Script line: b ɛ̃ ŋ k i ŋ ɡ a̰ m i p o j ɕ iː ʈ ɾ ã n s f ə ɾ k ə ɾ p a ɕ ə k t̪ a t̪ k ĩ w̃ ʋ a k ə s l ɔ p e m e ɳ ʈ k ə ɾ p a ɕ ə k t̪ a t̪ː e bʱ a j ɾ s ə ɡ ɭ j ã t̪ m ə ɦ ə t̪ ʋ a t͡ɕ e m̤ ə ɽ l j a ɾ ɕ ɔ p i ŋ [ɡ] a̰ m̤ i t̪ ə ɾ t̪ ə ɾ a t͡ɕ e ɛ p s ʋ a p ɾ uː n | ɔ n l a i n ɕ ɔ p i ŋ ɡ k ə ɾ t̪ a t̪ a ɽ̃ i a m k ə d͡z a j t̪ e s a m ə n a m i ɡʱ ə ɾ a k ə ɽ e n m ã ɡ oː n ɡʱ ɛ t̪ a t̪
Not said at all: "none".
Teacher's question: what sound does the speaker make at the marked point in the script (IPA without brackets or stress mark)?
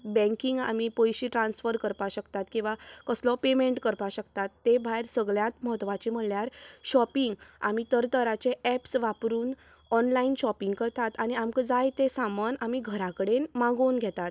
ɡ